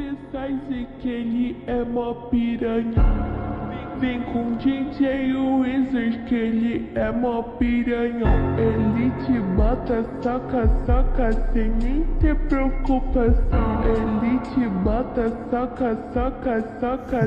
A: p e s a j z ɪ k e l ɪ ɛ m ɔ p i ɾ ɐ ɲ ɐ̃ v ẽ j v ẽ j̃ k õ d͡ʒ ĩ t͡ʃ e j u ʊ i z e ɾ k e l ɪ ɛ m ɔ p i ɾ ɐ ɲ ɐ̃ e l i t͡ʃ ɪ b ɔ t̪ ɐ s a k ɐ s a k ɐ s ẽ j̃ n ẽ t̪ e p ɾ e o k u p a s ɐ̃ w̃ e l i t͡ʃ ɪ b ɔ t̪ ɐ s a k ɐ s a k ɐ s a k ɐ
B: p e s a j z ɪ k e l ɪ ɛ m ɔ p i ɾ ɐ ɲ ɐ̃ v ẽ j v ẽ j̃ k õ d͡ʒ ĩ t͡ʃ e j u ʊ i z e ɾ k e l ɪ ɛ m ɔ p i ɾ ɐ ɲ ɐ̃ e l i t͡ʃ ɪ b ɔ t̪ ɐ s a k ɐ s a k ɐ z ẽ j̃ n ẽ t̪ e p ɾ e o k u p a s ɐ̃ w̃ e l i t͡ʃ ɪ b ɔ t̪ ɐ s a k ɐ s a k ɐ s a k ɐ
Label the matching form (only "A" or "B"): A